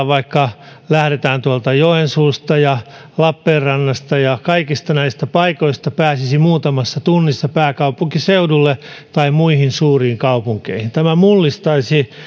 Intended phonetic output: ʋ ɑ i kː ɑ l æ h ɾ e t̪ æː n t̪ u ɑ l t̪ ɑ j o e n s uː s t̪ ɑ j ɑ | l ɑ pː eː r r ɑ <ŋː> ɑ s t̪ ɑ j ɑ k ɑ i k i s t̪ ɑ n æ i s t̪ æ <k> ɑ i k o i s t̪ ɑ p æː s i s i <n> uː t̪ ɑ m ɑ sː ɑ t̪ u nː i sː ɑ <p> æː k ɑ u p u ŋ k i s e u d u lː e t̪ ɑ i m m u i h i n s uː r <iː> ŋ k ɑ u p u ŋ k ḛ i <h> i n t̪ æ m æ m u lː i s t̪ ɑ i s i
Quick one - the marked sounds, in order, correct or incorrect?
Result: incorrect: nː, incorrect: p, incorrect: m, correct, correct, correct

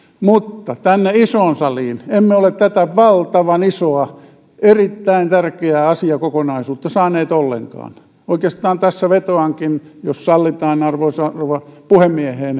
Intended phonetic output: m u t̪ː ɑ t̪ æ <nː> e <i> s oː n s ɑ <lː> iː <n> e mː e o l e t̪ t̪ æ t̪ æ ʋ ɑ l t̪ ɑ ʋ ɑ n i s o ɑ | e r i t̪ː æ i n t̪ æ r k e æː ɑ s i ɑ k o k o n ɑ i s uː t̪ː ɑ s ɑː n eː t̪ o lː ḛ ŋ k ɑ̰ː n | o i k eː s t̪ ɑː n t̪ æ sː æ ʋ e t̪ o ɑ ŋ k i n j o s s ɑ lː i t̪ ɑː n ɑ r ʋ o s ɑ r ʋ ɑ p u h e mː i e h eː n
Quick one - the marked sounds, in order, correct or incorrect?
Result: correct, correct, incorrect: l, correct

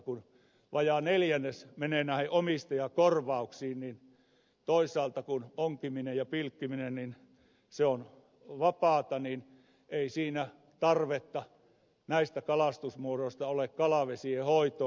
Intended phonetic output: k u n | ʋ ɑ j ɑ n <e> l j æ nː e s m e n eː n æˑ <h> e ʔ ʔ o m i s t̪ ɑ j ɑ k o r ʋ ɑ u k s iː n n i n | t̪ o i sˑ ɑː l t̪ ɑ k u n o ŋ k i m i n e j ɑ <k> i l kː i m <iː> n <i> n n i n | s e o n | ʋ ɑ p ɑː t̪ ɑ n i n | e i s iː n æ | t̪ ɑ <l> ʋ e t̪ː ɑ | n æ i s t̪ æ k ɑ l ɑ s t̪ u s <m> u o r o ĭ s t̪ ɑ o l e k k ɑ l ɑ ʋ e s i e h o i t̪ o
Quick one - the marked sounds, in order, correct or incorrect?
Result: correct, correct, incorrect: p, incorrect: i, incorrect: e, incorrect: r, correct

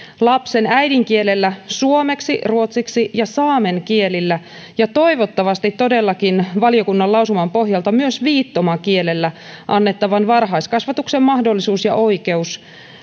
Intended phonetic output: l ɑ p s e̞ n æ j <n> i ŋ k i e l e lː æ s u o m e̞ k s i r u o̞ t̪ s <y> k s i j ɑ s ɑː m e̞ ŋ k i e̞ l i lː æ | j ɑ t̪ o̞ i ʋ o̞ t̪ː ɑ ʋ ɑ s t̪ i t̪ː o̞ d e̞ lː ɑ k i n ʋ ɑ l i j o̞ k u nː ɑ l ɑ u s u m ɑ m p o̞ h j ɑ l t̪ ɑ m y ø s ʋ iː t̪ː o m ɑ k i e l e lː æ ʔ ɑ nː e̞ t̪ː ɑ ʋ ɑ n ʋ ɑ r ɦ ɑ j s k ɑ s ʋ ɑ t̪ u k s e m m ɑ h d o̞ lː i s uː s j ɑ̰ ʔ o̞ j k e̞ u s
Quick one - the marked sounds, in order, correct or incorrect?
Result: incorrect: d, incorrect: i

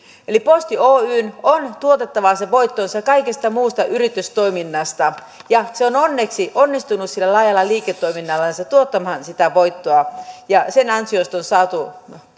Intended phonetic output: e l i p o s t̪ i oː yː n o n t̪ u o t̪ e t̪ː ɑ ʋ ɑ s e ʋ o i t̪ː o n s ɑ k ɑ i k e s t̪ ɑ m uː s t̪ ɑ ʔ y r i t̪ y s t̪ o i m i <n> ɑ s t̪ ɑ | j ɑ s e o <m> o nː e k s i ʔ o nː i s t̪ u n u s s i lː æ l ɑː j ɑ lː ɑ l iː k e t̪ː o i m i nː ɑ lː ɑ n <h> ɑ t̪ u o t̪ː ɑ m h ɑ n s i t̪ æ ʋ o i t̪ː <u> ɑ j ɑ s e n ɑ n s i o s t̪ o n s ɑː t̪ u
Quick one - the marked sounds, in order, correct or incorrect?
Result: incorrect: nː, incorrect: n, incorrect: s, incorrect: o

